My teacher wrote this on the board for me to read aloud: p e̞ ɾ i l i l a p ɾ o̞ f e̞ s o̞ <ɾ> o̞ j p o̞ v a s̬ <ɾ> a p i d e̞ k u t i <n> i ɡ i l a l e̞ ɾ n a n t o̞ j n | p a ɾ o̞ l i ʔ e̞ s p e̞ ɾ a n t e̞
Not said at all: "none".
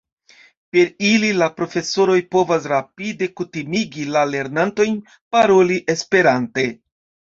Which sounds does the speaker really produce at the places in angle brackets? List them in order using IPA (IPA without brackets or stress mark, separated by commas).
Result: ɾ, ɾ, m